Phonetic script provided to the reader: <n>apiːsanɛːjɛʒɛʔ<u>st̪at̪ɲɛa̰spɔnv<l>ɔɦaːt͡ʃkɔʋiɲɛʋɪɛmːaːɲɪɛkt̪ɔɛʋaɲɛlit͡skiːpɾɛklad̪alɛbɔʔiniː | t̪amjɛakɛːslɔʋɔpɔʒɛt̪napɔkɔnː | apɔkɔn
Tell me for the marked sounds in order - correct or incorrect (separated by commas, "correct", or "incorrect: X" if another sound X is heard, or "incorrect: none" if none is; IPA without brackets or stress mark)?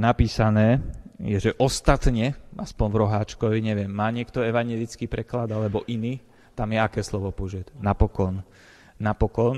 correct, incorrect: ɔ, incorrect: ɾ